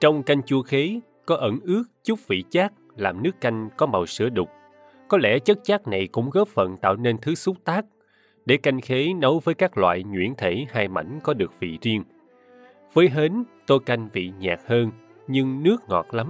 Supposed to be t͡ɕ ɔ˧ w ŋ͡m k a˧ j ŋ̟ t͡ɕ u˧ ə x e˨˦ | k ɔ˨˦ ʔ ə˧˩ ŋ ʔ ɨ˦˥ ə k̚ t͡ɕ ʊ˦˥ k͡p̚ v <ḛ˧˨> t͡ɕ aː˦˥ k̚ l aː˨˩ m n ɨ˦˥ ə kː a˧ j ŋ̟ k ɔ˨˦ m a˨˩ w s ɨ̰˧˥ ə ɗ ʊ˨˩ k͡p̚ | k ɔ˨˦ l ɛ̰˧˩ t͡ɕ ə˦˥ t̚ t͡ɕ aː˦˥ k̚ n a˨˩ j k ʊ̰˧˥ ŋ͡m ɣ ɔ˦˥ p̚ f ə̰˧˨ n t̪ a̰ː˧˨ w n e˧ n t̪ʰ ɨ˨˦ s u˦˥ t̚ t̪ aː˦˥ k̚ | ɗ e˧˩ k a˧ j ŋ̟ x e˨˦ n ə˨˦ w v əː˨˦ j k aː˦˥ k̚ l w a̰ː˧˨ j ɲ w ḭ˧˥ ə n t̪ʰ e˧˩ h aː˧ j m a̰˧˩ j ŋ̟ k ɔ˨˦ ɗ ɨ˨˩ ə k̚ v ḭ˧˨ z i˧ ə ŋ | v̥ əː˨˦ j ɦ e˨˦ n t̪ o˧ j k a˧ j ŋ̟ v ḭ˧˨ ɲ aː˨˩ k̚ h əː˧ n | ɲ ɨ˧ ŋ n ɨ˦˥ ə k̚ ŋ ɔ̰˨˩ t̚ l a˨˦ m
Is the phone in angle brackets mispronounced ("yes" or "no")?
yes